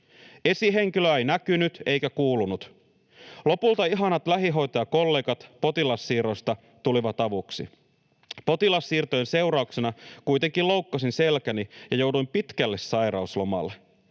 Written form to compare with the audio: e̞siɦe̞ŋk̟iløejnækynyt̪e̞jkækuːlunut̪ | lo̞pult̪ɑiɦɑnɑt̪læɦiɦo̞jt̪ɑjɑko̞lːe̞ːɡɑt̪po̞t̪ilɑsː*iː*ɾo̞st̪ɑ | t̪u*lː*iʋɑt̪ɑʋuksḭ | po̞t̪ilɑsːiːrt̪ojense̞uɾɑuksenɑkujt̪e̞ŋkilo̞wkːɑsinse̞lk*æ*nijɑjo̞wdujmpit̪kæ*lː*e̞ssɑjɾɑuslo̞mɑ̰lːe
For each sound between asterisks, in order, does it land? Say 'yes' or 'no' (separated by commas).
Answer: yes, no, yes, yes